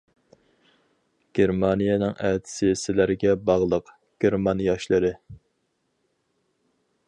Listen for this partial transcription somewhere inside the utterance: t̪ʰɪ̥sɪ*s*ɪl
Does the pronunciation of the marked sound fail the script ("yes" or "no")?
no